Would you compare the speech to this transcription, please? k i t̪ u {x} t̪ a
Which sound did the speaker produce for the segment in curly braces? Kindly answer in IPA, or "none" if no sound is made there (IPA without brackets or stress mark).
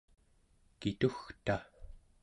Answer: x